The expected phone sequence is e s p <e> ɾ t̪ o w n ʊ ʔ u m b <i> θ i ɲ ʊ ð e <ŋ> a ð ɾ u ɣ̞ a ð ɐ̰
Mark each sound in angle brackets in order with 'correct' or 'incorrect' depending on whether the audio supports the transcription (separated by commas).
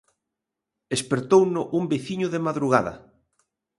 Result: correct, incorrect, incorrect